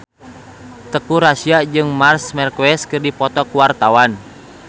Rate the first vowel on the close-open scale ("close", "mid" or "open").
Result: mid